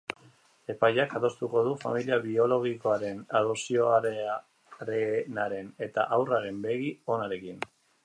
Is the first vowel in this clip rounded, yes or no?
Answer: no